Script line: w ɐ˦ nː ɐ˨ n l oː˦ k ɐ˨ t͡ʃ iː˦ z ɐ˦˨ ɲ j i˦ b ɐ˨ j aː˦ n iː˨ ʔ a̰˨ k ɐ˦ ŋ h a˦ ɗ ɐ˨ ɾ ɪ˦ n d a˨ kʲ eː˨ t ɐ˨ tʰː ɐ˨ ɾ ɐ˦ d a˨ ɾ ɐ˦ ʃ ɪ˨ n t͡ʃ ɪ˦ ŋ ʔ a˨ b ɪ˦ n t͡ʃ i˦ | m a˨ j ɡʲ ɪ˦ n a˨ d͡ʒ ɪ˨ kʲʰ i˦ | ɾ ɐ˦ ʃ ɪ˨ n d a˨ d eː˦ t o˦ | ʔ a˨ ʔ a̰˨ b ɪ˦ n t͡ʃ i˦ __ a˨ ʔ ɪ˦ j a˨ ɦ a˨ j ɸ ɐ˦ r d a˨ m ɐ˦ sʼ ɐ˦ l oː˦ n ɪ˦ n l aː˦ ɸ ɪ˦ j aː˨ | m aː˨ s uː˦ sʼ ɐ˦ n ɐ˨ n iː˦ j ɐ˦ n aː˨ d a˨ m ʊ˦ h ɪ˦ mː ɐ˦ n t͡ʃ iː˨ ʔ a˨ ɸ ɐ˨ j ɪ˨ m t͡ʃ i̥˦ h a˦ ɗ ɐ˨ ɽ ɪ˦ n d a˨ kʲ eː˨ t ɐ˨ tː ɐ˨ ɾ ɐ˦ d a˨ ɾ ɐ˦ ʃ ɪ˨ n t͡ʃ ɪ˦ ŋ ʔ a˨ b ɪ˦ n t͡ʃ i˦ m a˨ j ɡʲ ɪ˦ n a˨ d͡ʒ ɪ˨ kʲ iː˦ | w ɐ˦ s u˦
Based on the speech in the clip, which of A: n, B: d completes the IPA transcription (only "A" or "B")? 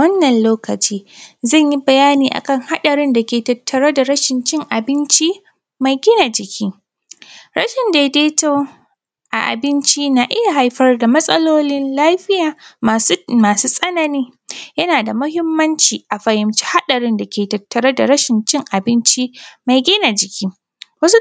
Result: A